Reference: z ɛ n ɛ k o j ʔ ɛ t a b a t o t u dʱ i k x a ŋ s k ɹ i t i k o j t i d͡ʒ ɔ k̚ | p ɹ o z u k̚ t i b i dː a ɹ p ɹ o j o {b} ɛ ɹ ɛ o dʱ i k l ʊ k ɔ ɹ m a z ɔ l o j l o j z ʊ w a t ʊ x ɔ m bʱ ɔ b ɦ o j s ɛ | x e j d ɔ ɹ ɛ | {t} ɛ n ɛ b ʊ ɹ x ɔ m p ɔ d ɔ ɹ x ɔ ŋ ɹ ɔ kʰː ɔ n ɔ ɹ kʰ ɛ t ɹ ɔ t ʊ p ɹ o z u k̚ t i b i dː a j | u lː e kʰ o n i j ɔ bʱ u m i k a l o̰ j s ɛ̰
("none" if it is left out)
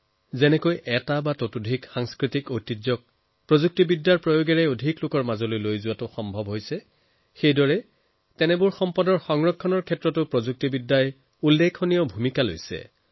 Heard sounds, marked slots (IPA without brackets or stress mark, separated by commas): ɡ, t